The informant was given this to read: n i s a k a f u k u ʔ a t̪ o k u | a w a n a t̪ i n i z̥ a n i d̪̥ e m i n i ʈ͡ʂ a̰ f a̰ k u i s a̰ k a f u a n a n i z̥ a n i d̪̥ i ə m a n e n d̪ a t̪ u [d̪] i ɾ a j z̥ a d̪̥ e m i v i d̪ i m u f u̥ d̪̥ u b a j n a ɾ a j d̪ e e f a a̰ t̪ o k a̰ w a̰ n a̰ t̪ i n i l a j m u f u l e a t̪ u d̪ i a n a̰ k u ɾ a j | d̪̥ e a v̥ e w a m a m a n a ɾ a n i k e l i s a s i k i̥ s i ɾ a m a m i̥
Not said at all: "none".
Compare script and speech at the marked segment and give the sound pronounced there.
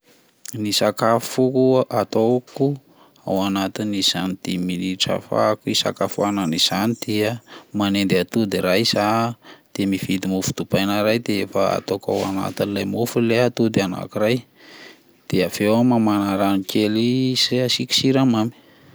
d̪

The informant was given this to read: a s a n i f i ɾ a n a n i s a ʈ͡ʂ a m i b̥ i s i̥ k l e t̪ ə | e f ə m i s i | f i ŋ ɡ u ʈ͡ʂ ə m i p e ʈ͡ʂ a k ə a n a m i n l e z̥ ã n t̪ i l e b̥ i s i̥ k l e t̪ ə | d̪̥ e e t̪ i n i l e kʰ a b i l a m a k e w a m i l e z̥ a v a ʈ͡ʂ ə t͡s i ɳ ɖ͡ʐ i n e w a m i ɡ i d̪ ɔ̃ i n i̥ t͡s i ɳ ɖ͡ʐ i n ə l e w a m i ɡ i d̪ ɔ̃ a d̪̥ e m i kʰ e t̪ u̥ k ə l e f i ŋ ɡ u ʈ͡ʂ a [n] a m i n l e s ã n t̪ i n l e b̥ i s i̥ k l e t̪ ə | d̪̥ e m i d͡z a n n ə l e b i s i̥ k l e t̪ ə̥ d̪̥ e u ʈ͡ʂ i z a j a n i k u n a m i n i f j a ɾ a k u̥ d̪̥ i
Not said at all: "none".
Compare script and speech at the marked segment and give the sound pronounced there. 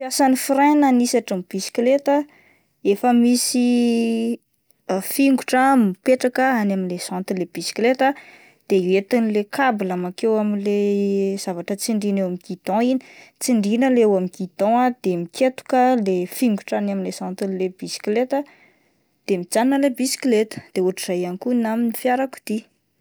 n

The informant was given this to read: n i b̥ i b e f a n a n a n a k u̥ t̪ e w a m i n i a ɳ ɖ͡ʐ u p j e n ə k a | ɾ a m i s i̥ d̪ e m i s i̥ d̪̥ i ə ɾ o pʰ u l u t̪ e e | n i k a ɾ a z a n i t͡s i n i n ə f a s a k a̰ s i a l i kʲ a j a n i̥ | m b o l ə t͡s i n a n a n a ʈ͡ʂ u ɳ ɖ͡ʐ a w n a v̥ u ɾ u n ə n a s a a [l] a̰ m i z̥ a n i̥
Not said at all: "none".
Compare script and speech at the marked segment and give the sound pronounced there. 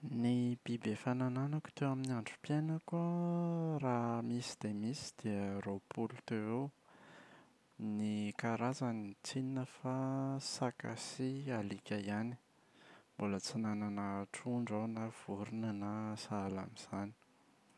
l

